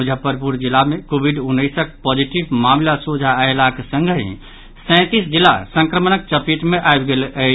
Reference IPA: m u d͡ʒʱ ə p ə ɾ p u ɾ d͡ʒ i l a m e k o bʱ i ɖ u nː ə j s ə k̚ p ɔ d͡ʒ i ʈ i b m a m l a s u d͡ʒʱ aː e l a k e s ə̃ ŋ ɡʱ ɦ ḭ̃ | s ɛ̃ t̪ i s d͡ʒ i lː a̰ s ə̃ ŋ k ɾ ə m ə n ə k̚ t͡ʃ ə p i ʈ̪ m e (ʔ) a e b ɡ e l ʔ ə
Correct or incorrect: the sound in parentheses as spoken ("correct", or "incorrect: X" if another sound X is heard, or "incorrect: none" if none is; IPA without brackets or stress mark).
correct